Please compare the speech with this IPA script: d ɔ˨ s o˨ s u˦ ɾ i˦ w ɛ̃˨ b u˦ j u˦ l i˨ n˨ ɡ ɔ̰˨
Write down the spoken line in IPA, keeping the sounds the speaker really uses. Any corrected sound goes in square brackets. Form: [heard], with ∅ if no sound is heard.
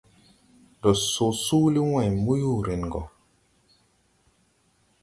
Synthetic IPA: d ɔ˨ s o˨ s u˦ [l] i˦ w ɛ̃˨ [m] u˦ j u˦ [ɾ] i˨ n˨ ɡ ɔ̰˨